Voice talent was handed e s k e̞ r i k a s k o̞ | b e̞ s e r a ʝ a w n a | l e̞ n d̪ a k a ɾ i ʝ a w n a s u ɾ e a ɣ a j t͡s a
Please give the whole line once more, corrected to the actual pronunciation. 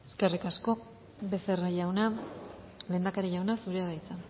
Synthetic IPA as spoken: e s k e̞ r i k a s k o̞ | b e̞ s e r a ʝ a w n a | l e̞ n d̪ a k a ɾ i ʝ a w n a s u ɾ e a ð a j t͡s a